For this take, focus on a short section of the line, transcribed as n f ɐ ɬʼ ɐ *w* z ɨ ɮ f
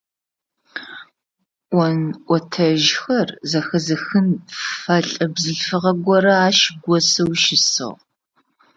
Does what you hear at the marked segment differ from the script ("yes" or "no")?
yes